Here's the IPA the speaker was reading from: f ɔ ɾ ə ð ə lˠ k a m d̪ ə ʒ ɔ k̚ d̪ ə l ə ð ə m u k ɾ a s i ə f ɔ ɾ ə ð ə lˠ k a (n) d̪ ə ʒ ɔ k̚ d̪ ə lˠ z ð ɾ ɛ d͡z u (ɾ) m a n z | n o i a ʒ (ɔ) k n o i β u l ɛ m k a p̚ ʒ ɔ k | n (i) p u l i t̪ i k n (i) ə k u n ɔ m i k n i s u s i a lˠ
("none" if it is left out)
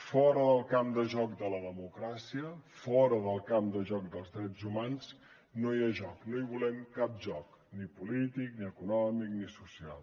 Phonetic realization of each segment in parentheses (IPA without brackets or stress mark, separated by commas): m, none, ɔ, i, i